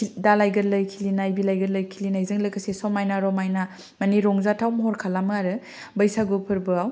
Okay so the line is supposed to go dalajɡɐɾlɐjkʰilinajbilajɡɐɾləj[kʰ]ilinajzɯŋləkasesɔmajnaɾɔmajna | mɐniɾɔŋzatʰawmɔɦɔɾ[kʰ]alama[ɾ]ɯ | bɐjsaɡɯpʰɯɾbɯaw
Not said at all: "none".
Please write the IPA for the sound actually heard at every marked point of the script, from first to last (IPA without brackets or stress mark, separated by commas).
kʰ, kʰ, ɾ